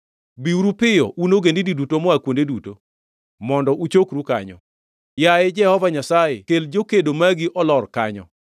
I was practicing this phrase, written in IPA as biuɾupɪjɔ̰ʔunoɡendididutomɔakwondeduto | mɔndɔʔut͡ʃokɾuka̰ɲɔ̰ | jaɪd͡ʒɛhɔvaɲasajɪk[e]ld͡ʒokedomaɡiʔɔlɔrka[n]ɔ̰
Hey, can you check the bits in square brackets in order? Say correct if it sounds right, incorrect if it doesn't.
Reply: correct, incorrect

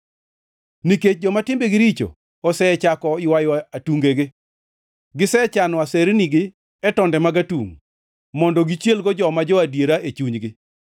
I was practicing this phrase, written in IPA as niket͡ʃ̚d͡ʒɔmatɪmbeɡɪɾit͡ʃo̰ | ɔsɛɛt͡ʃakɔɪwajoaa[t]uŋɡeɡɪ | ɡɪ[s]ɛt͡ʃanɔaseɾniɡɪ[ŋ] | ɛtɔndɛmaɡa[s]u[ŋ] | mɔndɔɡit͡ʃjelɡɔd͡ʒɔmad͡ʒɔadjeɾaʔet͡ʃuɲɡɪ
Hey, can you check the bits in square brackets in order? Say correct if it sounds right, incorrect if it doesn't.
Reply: correct, correct, incorrect, incorrect, correct

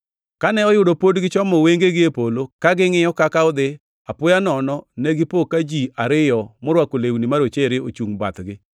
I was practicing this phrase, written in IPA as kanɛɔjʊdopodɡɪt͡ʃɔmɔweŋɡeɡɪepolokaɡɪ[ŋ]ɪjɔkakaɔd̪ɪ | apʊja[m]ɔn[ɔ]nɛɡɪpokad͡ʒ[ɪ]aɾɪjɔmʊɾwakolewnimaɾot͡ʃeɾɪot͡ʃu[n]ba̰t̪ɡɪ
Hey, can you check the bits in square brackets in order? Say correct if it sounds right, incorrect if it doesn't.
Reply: correct, incorrect, correct, incorrect, incorrect

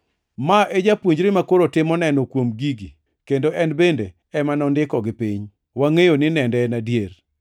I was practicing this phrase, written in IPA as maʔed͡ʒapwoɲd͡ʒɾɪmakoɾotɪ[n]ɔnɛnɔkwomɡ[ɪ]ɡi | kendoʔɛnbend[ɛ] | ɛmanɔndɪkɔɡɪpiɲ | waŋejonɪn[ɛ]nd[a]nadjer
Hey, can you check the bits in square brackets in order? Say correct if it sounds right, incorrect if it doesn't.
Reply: incorrect, incorrect, incorrect, correct, incorrect

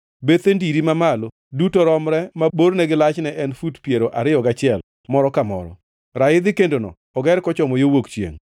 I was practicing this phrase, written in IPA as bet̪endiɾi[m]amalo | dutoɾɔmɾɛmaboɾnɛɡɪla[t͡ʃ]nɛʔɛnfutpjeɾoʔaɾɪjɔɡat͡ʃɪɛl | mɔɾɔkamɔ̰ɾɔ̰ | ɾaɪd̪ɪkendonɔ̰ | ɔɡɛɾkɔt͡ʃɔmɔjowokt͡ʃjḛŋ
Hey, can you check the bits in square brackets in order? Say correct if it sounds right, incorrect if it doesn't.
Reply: correct, correct

